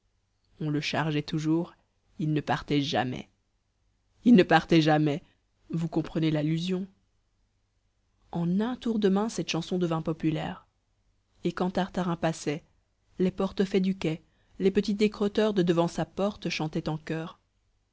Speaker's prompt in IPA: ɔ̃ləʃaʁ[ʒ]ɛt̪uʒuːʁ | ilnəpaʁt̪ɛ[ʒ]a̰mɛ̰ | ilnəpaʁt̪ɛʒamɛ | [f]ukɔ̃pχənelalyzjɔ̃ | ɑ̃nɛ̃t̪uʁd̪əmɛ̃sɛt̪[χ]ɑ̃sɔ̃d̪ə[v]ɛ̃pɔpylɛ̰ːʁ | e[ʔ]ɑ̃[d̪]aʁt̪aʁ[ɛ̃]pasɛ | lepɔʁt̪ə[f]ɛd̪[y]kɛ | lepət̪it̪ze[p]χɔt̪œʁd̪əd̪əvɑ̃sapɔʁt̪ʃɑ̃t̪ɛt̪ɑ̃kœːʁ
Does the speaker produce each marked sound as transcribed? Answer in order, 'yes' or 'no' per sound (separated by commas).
yes, yes, no, no, yes, no, no, yes, yes, yes, no